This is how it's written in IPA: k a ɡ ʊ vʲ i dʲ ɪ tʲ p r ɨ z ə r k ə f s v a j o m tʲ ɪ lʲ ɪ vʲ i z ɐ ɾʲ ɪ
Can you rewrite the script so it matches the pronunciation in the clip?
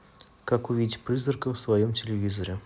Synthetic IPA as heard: k a k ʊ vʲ i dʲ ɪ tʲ p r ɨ z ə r k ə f s v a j o m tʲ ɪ lʲ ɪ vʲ i z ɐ ɾʲ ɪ